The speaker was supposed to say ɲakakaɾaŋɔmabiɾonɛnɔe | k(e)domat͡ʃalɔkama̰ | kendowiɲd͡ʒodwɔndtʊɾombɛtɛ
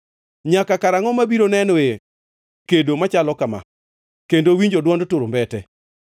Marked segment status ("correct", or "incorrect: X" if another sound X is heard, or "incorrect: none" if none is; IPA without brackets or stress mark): correct